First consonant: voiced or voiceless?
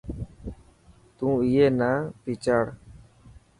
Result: voiceless